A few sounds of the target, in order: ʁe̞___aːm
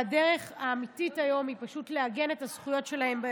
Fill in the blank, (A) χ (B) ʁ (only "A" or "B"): A